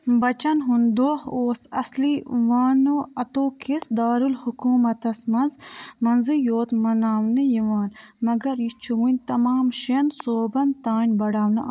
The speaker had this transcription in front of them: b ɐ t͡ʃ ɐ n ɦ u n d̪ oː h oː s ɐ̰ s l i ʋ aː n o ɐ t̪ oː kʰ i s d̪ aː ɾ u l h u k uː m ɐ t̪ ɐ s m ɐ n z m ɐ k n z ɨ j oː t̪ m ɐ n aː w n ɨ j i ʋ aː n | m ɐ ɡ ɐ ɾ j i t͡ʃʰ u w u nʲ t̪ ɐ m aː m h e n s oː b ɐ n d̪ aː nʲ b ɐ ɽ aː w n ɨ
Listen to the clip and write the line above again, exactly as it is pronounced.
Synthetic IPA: b ɐ t͡ʃ ɐ n ɦ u n d̪ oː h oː s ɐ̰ s l i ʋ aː n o ɐ t̪ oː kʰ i s d̪ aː ɾ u l h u k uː m ɐ t̪ ɐ s m ɐ n z m ɐ n z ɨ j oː t̪ m ɐ n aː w n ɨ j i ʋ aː n | m ɐ ɡ ɐ ɾ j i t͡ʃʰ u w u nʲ t̪ ɐ m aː m ʃ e n s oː b ɐ n t̪ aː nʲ b ɐ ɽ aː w n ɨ